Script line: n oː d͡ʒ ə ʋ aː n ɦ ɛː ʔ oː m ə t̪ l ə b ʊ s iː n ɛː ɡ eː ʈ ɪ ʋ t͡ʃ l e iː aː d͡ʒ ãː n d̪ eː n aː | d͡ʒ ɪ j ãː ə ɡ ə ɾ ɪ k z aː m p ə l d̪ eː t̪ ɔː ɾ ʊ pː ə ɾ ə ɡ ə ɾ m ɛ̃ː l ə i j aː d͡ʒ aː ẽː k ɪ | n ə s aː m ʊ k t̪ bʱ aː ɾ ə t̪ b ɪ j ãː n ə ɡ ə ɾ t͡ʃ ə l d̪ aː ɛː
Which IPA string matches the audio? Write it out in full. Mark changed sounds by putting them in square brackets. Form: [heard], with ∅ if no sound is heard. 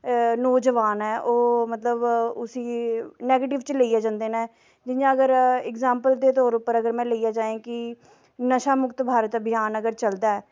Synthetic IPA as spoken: n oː d͡ʒ ə ʋ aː n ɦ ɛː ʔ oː m ə t̪ l ə b ʊ s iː n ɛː ɡ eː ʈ ɪ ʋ t͡ʃ l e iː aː d͡ʒ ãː n d̪ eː n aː | d͡ʒ ɪ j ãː ə ɡ ə ɾ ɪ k z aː m p ə l d̪ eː t̪ ɔː ɾ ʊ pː ə ɾ ə ɡ ə ɾ m ɛ̃ː l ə i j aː d͡ʒ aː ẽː k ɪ | n ə [ʃ] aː m ʊ k t̪ bʱ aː ɾ ə t̪ b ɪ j [aː] n ə ɡ ə ɾ t͡ʃ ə l d̪ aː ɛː